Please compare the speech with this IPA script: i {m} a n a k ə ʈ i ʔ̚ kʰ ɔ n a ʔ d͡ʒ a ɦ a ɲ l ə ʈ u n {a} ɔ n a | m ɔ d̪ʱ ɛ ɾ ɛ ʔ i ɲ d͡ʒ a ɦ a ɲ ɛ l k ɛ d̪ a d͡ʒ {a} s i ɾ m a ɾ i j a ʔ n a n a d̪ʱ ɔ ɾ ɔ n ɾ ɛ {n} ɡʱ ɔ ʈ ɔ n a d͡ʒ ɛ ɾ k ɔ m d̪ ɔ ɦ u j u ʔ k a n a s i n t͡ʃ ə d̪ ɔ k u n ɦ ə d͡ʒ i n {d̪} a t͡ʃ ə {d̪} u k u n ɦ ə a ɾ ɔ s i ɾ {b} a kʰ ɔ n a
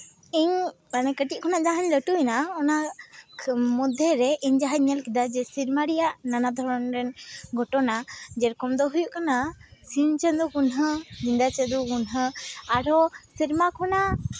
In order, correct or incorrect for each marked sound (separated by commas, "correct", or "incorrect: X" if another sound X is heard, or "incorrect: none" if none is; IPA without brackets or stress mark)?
incorrect: ɲ, correct, incorrect: ɛ, correct, correct, correct, incorrect: m